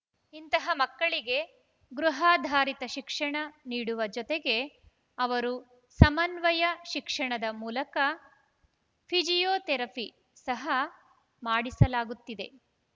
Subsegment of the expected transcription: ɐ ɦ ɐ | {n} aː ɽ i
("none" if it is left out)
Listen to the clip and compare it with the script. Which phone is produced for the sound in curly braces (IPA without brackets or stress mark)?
m